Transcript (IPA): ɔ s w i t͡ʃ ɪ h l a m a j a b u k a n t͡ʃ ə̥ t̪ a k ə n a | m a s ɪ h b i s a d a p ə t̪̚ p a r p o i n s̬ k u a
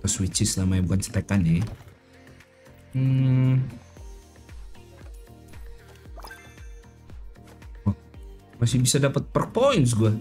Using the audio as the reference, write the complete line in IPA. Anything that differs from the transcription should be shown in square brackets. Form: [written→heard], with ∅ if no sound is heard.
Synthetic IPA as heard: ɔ s w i t͡ʃ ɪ [h→s] l a m a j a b u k a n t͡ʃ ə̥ t̪ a k [ə→a] n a | m a s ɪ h b i s a d a p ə t̪̚ p [a→ə] r p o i n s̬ [k→ɡ] u a